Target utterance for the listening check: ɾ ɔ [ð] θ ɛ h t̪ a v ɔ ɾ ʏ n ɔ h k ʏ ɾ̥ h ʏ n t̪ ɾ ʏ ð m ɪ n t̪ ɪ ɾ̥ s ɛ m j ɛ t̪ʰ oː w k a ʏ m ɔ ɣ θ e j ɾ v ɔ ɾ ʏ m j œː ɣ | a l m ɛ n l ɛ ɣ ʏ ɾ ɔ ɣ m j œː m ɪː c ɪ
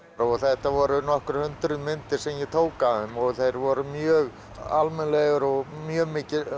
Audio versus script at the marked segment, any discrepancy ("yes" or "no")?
yes